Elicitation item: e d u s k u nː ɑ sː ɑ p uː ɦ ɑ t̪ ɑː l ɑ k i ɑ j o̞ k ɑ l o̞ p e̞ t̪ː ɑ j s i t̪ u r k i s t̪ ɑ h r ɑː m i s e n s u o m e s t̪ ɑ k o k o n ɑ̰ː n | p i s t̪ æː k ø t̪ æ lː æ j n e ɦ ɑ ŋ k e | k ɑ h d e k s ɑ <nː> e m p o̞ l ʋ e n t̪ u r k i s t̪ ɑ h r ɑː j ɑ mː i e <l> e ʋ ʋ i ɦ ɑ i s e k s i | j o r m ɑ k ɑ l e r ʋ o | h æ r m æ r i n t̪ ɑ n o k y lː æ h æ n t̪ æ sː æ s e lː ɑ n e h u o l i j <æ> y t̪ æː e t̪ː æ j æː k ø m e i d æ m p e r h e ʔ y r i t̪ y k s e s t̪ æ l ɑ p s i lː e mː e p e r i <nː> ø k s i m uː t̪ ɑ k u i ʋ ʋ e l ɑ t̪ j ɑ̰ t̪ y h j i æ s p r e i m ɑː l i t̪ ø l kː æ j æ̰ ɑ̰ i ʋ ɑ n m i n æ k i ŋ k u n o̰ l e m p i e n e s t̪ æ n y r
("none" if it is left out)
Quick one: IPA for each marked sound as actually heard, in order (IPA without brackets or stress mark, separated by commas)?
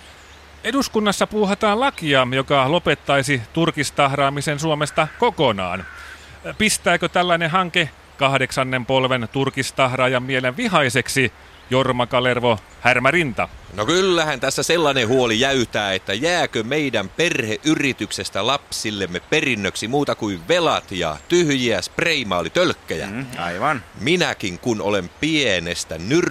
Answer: nː, l, æ, nː